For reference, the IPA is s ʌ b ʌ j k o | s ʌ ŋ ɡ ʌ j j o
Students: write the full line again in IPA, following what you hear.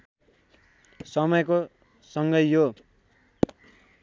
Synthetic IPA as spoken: s ʌ m ʌ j k o | s ʌ ŋ ɡ ʌ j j o